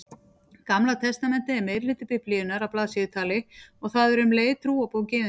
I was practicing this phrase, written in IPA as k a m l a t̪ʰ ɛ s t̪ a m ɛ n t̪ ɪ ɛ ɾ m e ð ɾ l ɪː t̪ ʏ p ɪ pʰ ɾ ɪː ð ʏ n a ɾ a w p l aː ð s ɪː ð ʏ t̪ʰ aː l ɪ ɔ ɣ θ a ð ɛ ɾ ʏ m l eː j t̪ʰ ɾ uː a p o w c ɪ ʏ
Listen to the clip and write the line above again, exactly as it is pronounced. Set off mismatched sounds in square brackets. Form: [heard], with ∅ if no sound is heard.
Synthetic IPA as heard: k a m l a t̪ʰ ɛ s t̪ a m ɛ n t̪ ɪ ɛ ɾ m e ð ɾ l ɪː t̪ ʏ p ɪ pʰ [l] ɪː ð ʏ n a ɾ a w p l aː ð s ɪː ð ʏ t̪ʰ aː l ɪ ɔ ɣ θ a ð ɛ ɾ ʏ m l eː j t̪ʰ ɾ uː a p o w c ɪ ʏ